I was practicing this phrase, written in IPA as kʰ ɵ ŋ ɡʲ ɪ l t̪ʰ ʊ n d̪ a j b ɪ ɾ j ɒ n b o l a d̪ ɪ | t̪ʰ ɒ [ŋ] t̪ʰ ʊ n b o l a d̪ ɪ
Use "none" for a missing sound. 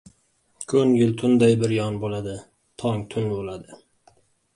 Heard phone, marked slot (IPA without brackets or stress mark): ŋ